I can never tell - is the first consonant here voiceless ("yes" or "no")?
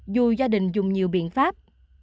no